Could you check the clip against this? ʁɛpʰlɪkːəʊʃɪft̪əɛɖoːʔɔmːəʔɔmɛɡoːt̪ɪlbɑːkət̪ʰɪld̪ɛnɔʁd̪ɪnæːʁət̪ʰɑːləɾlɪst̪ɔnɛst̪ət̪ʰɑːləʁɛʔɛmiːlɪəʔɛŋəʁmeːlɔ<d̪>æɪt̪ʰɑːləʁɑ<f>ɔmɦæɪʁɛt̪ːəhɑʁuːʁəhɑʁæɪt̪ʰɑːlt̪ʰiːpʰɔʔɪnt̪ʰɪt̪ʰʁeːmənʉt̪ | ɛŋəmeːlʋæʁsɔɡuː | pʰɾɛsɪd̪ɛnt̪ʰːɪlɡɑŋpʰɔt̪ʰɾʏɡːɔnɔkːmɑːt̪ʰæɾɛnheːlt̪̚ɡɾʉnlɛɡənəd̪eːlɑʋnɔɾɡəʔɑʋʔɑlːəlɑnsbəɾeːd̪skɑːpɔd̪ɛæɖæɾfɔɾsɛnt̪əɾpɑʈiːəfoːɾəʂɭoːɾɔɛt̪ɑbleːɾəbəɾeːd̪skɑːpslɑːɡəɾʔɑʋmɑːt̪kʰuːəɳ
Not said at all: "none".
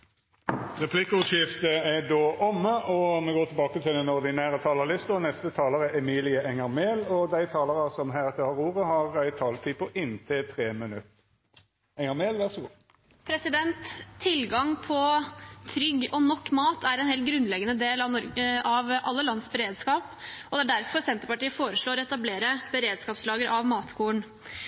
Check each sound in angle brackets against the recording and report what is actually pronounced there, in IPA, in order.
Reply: d̪, s

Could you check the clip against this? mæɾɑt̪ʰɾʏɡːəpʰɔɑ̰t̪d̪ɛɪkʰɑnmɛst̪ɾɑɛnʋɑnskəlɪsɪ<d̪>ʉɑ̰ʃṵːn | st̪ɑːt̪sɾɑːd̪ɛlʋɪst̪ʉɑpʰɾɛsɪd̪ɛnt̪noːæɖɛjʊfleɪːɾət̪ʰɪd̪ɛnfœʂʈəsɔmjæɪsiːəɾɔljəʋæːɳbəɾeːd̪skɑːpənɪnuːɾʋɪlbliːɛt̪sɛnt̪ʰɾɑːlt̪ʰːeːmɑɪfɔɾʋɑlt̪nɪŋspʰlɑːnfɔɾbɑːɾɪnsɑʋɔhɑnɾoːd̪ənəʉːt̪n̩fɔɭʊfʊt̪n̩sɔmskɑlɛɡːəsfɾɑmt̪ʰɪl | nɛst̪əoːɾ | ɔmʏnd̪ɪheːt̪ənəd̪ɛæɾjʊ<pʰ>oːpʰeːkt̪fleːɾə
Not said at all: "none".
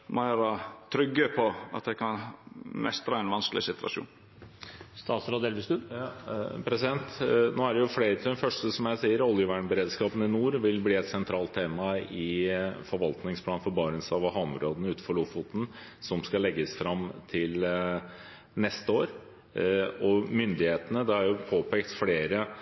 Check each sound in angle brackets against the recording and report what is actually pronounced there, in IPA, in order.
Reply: t̪, pʰ

